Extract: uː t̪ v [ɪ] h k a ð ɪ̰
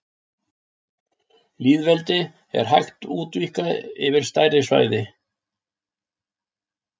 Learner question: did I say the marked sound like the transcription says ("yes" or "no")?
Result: no